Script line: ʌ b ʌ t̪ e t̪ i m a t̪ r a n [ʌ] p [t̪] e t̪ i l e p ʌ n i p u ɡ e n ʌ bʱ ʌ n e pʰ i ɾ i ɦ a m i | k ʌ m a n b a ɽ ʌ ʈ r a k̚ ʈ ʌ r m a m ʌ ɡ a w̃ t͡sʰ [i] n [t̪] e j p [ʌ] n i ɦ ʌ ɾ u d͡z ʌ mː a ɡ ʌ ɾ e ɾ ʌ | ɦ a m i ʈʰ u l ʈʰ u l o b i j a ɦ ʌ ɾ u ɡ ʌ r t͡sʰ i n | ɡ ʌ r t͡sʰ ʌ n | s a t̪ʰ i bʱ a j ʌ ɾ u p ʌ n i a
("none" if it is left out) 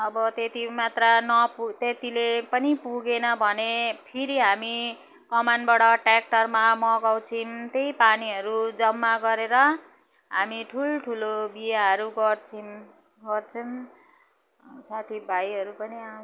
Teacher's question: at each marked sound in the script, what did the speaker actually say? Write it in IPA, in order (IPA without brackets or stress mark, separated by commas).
ʌ, t̪, i, t̪, a